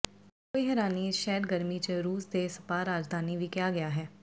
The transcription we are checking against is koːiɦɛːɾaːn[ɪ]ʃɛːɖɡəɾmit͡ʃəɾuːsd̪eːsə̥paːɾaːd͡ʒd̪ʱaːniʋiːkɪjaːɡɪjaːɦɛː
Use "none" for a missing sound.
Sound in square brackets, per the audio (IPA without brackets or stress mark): i